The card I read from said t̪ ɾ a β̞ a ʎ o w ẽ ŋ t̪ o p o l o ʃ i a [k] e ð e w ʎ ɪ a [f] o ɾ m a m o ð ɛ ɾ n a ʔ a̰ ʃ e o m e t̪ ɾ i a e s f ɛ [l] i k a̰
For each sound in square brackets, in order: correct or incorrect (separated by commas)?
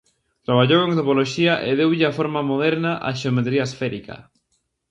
incorrect, correct, incorrect